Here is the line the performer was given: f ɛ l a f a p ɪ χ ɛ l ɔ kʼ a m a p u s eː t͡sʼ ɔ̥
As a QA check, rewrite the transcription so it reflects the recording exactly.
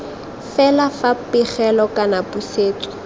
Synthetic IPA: f ɛ l a f a p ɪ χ ɛ l ɔ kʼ a n a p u s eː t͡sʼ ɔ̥

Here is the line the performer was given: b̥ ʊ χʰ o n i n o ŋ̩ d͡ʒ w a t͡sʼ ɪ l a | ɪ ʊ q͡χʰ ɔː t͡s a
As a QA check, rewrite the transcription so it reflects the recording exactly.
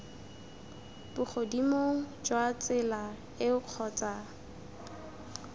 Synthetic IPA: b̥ ʊ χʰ o d i m o ŋ̩ d͡ʒ w a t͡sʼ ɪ l a | ɪ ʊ q͡χʰ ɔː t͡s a

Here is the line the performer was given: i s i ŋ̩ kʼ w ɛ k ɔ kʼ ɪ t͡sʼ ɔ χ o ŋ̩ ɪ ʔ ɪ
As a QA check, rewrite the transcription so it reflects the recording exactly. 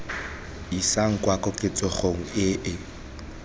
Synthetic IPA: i s a ŋ̩ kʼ w a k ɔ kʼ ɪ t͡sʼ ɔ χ o ŋ̩ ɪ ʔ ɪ

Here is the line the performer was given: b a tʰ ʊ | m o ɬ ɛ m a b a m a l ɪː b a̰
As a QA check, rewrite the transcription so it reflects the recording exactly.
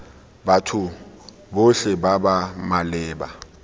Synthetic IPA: b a tʰ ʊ | b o ɬ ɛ b a b a m a l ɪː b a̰

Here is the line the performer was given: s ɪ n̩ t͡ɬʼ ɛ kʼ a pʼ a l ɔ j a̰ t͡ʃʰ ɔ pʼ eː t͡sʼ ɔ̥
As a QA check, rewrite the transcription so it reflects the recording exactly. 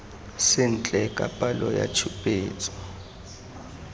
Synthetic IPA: s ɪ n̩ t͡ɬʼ ɛ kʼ a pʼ a l ɔ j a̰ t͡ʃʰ u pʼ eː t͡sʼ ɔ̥

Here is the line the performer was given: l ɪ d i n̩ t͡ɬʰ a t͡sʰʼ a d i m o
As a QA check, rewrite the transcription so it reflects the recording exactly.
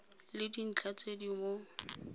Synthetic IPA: l ɪ d i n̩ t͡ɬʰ a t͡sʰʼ e d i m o

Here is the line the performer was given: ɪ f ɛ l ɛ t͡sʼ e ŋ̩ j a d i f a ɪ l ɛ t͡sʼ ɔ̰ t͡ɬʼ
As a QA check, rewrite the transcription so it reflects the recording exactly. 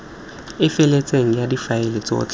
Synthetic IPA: ɪ f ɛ l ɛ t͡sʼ e ŋ̩ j a d i f a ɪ l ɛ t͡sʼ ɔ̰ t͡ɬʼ

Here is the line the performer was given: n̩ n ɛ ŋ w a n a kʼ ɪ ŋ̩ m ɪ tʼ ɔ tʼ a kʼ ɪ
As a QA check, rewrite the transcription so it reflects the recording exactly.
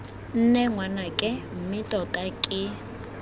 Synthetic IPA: n̩ n ɛ ŋ w a n a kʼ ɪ m̩ m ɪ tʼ ɔ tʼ a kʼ ɪ

